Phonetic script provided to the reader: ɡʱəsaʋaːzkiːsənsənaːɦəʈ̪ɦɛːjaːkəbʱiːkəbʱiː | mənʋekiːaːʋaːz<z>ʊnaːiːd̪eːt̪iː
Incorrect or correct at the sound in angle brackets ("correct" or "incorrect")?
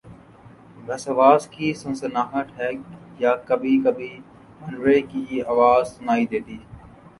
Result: incorrect